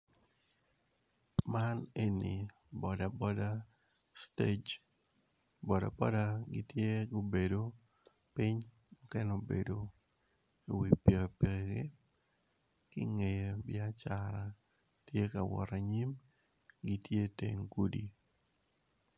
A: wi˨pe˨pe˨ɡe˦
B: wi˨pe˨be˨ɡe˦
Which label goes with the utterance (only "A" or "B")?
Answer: A